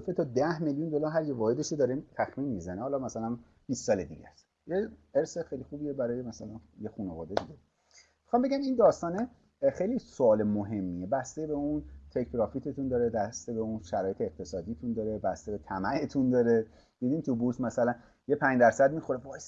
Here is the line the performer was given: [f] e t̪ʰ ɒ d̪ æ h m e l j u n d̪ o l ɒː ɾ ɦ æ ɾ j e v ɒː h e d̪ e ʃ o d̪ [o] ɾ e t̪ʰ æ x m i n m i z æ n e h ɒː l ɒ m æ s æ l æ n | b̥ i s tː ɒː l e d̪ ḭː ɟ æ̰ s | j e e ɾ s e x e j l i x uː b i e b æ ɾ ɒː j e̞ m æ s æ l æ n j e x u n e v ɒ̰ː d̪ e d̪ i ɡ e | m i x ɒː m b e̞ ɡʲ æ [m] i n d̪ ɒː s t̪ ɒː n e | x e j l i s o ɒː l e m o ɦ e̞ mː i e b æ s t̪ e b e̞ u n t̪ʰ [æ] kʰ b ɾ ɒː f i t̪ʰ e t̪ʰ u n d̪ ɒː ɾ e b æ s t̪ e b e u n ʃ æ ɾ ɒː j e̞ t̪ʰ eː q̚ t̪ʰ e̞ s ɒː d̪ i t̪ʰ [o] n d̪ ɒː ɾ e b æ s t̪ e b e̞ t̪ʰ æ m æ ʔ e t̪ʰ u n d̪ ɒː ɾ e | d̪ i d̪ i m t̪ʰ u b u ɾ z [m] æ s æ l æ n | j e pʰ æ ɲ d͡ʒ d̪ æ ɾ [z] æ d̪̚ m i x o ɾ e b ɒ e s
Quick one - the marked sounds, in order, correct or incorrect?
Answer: correct, incorrect: ɒ, correct, incorrect: e, incorrect: u, correct, incorrect: s

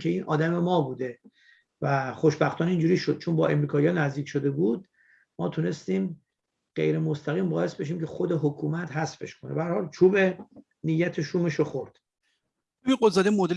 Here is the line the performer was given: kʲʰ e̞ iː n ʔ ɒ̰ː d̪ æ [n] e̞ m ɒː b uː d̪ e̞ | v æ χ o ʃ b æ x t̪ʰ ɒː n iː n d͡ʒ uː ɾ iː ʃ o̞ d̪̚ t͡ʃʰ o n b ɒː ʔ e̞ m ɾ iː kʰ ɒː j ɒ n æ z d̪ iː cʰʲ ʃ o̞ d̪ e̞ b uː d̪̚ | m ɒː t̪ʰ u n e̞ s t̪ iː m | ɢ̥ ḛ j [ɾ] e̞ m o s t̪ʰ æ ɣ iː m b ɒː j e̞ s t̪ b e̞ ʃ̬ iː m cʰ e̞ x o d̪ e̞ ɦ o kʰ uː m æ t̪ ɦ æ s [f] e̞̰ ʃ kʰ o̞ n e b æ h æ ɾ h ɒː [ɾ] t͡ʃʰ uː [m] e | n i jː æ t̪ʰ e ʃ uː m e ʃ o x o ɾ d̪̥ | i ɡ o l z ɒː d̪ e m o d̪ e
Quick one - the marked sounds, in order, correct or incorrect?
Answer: incorrect: m, correct, correct, incorrect: l, incorrect: b

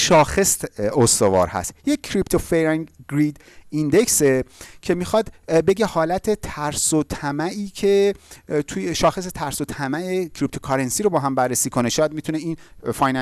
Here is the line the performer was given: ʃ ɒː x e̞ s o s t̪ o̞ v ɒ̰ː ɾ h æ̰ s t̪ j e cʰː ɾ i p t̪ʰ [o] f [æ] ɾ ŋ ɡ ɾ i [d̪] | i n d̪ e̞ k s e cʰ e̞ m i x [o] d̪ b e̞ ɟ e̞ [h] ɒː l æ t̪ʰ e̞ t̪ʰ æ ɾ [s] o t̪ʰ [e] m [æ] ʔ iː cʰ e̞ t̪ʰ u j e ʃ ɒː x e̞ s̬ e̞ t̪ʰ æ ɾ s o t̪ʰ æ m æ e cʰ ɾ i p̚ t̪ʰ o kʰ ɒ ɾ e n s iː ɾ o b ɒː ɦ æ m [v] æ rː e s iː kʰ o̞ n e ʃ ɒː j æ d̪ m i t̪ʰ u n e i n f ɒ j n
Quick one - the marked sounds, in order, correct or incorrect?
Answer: correct, incorrect: e, correct, incorrect: ɒ, correct, correct, incorrect: æ, correct, incorrect: b

